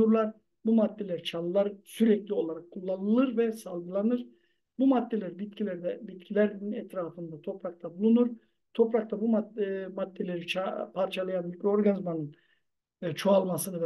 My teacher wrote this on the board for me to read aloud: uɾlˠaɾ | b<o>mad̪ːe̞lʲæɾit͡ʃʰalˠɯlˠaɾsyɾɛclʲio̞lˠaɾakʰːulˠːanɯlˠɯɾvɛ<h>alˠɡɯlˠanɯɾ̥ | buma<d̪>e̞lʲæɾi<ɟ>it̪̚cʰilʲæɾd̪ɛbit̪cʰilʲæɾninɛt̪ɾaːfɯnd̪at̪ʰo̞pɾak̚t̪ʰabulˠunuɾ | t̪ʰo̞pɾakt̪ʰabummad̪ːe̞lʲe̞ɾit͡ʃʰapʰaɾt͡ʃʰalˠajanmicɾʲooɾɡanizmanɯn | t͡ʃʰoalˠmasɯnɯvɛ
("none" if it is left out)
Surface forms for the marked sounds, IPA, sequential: u, s, d̪ː, b

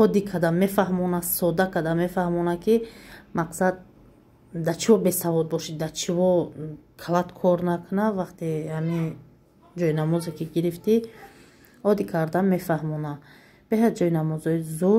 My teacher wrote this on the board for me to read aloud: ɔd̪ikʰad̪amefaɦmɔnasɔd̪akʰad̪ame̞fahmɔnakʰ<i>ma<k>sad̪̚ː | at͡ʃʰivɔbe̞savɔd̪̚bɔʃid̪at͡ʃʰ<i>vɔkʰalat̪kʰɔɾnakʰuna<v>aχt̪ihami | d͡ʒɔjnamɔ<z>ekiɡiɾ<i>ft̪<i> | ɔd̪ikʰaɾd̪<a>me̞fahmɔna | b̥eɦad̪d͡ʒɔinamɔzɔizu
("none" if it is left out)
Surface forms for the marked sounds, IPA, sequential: i, q, i, v, z, i, i, a

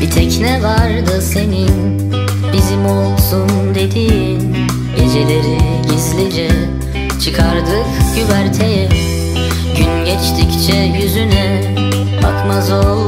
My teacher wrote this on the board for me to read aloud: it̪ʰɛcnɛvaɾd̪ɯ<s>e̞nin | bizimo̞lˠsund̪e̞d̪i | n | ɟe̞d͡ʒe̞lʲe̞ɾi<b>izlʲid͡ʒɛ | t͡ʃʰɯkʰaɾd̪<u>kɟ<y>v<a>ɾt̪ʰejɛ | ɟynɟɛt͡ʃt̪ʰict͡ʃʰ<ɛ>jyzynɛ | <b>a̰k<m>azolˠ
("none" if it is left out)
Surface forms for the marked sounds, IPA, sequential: s, ɟ, ɯ, y, æ, ɛ, b, m

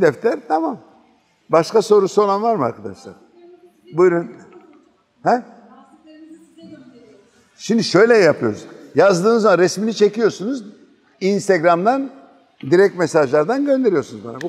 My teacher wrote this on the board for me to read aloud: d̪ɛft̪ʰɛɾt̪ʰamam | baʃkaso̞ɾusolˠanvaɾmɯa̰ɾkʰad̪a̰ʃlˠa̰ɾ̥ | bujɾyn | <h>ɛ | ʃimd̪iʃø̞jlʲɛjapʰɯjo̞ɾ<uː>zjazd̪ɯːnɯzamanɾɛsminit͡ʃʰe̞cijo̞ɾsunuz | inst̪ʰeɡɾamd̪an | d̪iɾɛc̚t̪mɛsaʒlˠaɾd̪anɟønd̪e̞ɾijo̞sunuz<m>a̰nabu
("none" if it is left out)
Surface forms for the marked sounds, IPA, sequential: h, u, b

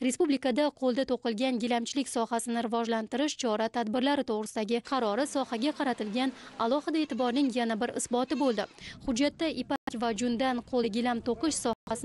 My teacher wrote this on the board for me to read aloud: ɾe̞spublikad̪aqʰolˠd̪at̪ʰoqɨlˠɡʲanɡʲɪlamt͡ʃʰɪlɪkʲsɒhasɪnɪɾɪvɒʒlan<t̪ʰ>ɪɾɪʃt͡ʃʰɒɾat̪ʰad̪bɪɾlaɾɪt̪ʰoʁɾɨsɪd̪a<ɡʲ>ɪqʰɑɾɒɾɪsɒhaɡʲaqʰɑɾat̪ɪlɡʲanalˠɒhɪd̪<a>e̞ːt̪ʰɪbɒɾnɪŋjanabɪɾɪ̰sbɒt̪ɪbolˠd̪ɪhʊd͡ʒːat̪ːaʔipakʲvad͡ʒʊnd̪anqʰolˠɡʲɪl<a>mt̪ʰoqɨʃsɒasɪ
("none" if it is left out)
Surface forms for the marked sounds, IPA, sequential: t̪, ɡʲ, a, a

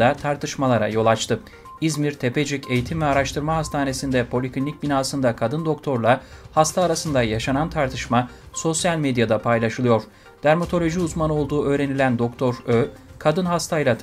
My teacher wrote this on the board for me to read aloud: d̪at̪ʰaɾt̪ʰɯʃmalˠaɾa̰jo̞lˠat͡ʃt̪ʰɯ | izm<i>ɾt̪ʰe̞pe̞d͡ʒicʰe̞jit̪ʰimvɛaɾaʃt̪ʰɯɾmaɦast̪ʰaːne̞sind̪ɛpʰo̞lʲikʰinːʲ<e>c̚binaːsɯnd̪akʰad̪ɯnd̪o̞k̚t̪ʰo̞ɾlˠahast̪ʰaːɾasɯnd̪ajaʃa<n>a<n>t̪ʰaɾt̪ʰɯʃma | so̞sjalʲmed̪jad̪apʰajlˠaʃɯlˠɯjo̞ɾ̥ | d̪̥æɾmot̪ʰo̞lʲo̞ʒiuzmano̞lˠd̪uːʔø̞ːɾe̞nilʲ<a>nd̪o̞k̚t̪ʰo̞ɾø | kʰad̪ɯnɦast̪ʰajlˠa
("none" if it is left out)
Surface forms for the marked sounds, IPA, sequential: i, i, n, n, æ

